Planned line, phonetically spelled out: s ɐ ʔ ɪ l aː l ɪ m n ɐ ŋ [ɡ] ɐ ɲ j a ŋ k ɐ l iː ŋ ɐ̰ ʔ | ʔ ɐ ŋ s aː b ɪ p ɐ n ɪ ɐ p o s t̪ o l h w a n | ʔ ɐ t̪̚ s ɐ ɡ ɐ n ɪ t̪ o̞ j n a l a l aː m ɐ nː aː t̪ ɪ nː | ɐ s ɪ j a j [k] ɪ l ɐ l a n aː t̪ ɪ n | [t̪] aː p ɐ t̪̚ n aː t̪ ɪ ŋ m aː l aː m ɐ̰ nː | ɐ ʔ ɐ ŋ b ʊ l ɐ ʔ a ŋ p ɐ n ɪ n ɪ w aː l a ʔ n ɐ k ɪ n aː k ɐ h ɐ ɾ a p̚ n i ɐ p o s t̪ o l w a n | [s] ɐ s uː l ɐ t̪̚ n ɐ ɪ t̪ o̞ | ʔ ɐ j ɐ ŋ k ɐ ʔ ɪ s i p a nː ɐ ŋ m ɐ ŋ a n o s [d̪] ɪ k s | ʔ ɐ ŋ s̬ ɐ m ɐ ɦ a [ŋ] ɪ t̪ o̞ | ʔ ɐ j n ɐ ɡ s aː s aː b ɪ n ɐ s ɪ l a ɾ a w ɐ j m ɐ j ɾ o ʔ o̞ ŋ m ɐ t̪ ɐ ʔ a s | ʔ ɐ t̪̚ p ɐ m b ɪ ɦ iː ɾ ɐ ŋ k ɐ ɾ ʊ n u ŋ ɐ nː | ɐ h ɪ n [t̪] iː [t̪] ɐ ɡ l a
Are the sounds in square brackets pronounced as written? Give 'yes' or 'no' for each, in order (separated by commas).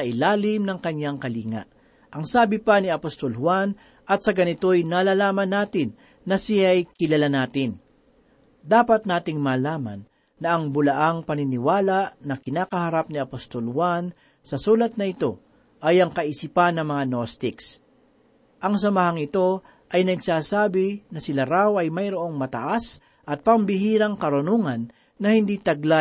no, yes, no, yes, no, yes, no, yes